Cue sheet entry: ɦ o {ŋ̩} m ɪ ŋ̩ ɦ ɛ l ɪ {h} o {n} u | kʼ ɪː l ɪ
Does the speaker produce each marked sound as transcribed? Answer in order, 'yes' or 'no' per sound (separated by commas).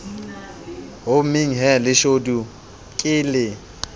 no, no, no